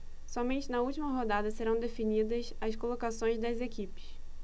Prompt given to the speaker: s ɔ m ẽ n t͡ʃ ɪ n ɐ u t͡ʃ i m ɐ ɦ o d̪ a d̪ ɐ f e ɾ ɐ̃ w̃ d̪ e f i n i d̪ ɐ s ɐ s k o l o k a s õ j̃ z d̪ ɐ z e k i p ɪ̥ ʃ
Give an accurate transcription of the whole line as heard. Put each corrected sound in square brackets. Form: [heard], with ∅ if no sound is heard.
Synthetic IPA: s ɔ m ẽ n t͡ʃ ɪ n ɐ u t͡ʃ i m ɐ ɦ o d̪ a d̪ ɐ [s] e ɾ ɐ̃ w̃ d̪ e f i n i d̪ ɐ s ɐ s k o l o k a s õ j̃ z d̪ ɐ z e k i p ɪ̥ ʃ